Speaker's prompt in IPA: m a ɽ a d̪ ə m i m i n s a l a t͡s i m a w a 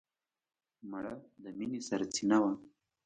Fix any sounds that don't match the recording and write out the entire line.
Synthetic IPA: m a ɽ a d̪ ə m i n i s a ɾ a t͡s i n a w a